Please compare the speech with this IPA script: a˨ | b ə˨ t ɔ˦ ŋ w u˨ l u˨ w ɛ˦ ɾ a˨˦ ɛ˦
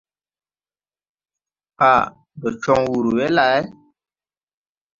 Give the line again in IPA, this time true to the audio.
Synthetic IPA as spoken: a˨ | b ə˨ t͡ʃ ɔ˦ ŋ w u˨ ɾ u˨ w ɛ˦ l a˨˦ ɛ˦